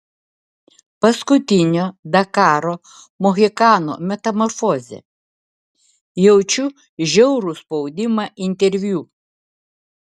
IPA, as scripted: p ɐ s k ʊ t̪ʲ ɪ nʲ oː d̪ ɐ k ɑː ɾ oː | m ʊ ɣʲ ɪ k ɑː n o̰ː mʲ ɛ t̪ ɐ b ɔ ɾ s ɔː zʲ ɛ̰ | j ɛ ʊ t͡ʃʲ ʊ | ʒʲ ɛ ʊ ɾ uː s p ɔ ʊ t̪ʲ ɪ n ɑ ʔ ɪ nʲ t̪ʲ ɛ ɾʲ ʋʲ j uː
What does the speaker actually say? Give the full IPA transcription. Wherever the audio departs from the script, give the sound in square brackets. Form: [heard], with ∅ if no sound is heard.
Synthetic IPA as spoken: p ɐ s k ʊ t̪ʲ ɪ nʲ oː d̪ ɐ k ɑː ɾ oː | m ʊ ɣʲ ɪ k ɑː n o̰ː mʲ ɛ t̪ ɐ [m] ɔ ɾ [f] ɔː zʲ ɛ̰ | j ɛ ʊ t͡ʃʲ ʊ | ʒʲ ɛ ʊ ɾ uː s p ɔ ʊ [d̪ʲ] ɪ [m] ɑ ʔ ɪ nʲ t̪ʲ ɛ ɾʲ ʋʲ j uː